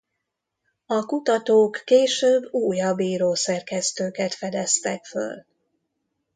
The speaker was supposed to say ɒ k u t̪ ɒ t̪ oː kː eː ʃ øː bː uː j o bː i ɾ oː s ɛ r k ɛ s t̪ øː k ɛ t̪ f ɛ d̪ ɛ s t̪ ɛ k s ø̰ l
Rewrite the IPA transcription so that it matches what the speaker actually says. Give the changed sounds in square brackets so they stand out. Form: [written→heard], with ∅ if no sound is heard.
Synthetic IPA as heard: ɒ k u t̪ ɒ t̪ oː kː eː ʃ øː bː uː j [o→ɒ] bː [i→iː] ɾ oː s ɛ r k ɛ s t̪ øː k ɛ t̪ f ɛ d̪ ɛ s t̪ ɛ k [s→f] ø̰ l

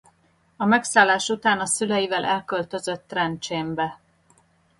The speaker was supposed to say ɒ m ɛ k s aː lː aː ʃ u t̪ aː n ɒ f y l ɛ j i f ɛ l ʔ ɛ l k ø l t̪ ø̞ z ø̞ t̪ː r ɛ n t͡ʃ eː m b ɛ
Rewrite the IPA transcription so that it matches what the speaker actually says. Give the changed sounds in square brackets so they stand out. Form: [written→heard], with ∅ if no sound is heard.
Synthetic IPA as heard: ɒ m ɛ k s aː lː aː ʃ u t̪ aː n ɒ [f→s] y l ɛ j i [f→v] ɛ l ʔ ɛ l k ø l t̪ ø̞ z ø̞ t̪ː r ɛ n t͡ʃ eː m b ɛ

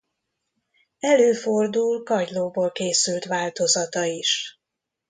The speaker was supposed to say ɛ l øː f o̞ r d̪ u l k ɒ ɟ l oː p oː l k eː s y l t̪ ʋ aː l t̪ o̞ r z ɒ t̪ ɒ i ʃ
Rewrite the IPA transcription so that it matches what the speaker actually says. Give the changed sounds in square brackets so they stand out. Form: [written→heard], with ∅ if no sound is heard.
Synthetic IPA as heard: ɛ l øː f o̞ r d̪ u l k ɒ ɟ l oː [p→b] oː l k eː s y l t̪ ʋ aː l t̪ o̞ [r→∅] z ɒ t̪ ɒ i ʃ

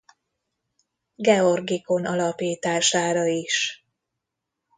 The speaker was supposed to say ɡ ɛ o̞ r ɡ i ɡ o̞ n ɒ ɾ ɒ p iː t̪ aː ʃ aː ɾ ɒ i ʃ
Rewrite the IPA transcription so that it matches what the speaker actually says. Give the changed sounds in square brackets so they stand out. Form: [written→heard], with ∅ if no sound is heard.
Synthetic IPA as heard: ɡ ɛ o̞ r ɡ i [ɡ→k] o̞ n ɒ [ɾ→l] ɒ p iː t̪ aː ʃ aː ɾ ɒ i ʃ

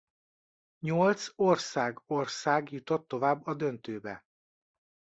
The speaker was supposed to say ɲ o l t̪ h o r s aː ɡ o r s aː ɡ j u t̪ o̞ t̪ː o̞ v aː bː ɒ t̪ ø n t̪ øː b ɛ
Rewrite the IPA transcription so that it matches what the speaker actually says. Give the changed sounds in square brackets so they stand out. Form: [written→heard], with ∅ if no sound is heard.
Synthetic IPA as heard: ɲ o l t̪ [h→s] o r s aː ɡ o r s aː ɡ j u t̪ o̞ t̪ː o̞ v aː bː ɒ [t̪→d̪] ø n t̪ øː b ɛ

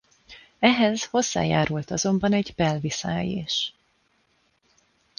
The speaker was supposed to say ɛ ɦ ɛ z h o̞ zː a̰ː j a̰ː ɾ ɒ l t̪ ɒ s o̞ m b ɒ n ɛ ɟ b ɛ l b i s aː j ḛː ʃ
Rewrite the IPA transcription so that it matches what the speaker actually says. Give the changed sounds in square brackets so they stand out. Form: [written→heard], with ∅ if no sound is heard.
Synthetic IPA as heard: ɛ ɦ ɛ z h o̞ zː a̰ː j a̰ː ɾ [ɒ→u] l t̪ ɒ [s→z] o̞ m b ɒ n ɛ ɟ b ɛ l [b→v] i s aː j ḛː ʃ

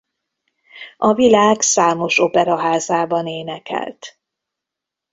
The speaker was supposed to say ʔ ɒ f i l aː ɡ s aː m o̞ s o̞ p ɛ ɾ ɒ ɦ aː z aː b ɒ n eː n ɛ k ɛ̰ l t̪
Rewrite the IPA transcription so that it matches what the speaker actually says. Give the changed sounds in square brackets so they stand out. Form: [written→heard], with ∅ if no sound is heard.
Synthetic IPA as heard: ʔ ɒ [f→v] i l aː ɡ s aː m o̞ [s→ʃ] o̞ p ɛ ɾ ɒ ɦ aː z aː b ɒ n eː n ɛ k ɛ̰ l t̪

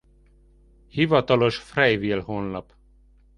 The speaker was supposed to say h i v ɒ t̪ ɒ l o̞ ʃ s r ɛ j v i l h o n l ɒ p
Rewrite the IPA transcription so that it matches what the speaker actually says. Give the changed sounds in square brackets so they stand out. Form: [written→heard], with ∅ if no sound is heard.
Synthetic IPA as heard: h i v ɒ t̪ ɒ l o̞ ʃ [s→f] r ɛ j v i l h o n l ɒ p

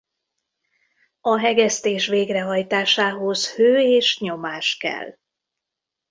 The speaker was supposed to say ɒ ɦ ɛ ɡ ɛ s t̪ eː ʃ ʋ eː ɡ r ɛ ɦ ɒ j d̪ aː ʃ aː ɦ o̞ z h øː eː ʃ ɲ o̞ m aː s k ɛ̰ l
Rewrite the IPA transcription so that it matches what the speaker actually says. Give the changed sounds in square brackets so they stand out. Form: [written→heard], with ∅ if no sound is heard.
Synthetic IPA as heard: ɒ ɦ ɛ ɡ ɛ s t̪ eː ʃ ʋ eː ɡ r ɛ ɦ ɒ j [d̪→t̪] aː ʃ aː ɦ o̞ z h øː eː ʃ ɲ o̞ m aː [s→ʃ] k ɛ̰ l

